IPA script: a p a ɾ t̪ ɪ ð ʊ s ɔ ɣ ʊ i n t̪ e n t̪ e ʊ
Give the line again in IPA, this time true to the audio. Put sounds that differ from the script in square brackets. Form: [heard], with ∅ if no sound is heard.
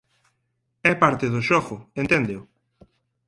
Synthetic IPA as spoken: [ɛ] p a ɾ t̪ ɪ ð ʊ [ʃ] ɔ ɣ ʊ [e] n t̪ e n [d̪] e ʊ